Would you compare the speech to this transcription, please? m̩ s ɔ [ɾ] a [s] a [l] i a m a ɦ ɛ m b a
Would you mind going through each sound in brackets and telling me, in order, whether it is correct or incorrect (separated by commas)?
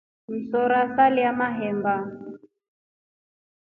correct, correct, correct